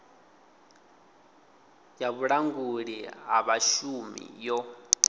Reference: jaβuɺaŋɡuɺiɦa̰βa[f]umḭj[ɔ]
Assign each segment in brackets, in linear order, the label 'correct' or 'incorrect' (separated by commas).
incorrect, correct